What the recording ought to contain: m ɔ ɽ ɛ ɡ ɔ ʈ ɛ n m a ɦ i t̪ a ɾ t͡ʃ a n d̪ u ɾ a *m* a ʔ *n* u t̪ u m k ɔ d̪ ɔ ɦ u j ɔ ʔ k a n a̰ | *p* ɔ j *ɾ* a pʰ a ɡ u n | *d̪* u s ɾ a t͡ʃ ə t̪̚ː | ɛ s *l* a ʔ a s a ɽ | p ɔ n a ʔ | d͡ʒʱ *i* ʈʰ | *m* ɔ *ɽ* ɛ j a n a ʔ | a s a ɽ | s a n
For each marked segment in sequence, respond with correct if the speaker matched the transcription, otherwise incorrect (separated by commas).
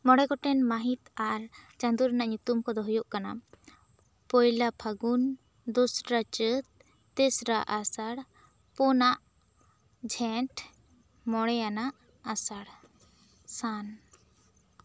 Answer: incorrect, incorrect, correct, incorrect, correct, incorrect, incorrect, correct, correct